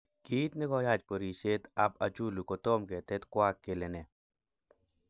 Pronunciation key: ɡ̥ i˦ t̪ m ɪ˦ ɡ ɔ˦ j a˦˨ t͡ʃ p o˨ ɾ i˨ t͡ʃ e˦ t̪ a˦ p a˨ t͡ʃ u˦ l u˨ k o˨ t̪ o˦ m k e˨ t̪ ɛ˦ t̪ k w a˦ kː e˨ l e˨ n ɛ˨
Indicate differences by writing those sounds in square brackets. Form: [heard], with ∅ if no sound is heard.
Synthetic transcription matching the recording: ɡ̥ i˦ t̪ [n] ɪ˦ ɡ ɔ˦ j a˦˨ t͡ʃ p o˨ ɾ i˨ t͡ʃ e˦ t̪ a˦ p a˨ t͡ʃ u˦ l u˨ k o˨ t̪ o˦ m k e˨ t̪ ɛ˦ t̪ k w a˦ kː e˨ l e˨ n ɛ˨

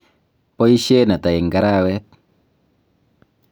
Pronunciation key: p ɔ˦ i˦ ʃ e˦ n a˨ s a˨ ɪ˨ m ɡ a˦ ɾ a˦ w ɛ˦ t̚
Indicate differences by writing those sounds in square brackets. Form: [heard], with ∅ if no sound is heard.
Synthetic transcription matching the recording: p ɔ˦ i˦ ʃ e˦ n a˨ [t] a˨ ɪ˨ [ŋ] ɡ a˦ ɾ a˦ w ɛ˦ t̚

